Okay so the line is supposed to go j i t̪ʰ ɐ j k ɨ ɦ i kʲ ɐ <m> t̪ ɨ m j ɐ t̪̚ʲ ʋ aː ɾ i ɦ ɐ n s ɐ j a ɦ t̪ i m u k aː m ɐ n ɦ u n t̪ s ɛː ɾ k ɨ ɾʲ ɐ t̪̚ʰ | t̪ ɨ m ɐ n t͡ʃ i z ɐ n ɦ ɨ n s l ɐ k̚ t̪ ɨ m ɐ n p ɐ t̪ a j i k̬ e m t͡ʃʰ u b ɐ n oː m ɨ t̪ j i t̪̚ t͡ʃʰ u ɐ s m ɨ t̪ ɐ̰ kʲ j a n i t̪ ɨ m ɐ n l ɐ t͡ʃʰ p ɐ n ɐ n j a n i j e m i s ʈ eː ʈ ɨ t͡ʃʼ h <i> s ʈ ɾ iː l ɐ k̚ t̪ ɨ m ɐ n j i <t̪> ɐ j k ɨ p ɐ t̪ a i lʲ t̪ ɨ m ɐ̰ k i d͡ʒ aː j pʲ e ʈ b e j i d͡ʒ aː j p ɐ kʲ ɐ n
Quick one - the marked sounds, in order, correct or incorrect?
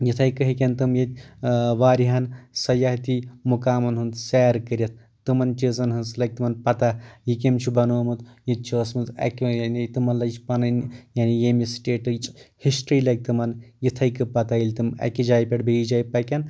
incorrect, correct, incorrect

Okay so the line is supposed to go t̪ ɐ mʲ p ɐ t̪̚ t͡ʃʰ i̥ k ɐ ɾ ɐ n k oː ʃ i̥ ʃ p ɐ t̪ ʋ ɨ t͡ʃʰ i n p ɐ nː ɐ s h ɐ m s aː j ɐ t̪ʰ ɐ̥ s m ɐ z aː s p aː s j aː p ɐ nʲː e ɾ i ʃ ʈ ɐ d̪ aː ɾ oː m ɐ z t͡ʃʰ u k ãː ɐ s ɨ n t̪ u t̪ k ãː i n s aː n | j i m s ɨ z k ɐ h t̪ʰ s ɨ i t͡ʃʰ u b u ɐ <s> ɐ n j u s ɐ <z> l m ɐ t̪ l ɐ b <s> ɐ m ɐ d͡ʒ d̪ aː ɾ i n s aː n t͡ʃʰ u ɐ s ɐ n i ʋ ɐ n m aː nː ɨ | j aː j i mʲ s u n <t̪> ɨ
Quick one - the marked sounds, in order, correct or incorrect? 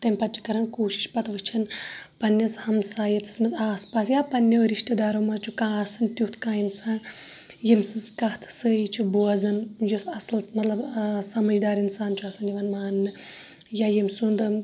incorrect, incorrect, correct, incorrect

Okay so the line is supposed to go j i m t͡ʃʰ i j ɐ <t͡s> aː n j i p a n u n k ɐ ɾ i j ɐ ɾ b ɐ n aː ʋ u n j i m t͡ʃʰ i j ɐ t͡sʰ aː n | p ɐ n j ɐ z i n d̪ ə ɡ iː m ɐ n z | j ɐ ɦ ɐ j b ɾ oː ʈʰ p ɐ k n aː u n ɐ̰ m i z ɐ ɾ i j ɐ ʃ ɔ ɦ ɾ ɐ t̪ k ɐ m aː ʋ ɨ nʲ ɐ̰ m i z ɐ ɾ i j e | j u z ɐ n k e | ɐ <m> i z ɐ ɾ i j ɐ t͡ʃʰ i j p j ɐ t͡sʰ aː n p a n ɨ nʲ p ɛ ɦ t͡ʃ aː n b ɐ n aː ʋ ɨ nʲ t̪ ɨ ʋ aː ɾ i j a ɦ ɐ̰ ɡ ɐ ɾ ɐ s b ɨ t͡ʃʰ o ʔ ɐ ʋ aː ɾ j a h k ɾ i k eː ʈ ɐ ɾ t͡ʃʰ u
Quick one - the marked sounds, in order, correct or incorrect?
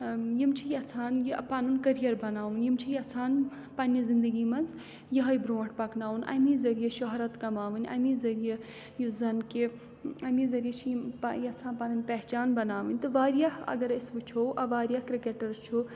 incorrect, correct

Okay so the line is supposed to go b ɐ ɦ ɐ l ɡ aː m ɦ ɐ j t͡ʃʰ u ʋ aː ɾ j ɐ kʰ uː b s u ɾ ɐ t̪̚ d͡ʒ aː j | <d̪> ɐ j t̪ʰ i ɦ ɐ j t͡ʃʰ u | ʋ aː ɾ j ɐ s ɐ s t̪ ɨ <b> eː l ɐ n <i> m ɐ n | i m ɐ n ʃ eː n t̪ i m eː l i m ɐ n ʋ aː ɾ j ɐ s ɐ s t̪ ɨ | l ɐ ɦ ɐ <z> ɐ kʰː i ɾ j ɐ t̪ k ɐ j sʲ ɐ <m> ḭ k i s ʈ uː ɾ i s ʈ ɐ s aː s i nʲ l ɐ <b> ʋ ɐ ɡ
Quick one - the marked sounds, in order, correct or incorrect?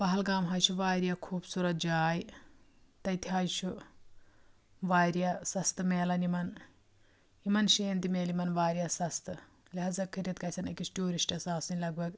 incorrect, incorrect, correct, correct, incorrect, incorrect

